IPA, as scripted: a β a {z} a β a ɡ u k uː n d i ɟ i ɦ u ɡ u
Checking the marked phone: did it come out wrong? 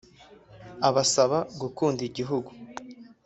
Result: yes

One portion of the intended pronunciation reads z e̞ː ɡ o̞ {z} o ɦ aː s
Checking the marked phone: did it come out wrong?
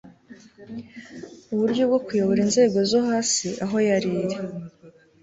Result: no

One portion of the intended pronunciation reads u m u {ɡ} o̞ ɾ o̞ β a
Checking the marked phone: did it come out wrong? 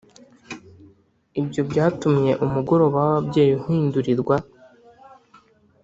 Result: no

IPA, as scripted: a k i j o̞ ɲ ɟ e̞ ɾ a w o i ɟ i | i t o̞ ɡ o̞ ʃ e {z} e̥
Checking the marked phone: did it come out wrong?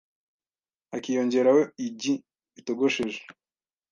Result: yes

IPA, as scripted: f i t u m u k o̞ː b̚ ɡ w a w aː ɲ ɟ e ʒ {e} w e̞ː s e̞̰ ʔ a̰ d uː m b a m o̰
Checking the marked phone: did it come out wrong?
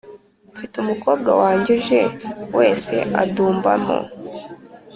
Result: no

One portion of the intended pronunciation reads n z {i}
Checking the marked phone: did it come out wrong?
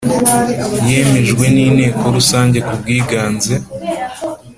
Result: yes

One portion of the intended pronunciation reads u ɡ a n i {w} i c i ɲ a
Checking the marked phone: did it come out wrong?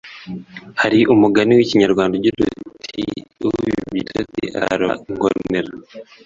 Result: no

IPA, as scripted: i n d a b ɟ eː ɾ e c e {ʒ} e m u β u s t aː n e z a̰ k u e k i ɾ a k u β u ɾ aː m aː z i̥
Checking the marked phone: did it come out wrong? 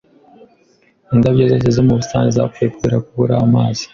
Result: yes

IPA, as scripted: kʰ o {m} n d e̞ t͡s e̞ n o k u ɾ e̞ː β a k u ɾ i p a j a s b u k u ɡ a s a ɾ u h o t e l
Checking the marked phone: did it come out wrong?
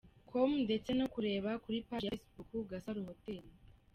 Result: no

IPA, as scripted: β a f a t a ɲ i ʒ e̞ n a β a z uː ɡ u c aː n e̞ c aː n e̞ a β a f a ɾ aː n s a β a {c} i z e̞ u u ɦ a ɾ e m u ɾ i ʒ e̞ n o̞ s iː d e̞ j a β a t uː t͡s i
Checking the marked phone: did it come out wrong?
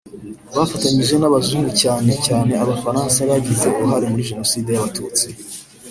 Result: yes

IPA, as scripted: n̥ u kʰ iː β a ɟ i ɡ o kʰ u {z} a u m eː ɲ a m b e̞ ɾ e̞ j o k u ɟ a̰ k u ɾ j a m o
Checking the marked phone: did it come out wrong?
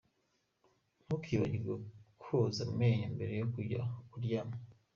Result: no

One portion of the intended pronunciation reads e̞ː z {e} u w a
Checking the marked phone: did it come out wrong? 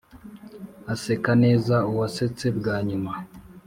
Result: yes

